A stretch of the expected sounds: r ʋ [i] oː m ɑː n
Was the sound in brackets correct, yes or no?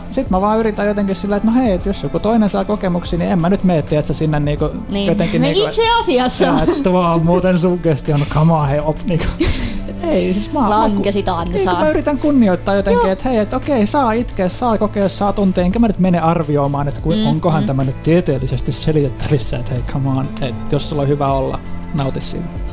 yes